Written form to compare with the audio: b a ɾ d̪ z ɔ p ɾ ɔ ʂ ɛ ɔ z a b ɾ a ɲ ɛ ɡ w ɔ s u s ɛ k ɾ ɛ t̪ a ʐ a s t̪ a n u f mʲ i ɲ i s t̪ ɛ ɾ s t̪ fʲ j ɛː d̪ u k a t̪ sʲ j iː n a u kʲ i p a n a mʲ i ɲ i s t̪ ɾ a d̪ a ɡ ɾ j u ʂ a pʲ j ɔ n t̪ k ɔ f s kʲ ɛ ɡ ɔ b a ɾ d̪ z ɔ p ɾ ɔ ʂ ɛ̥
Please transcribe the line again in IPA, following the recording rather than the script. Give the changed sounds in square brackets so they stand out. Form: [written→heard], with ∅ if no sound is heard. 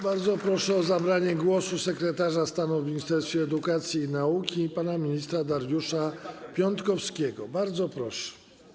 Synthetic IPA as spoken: b a ɾ d̪ z ɔ p ɾ ɔ ʂ ɛ ɔ z a b ɾ a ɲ ɛ ɡ w ɔ s u s ɛ k ɾ ɛ t̪ a ʐ a s t̪ a n u [f→v] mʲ i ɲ i s t̪ ɛ ɾ s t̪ fʲ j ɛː d̪ u k a t̪ sʲ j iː n a u kʲ i p a n a mʲ i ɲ i s t̪ ɾ a d̪ a [ɡ→∅] ɾ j u ʂ a pʲ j ɔ n t̪ k ɔ f s kʲ ɛ ɡ ɔ b a ɾ d̪ z ɔ p ɾ ɔ ʂ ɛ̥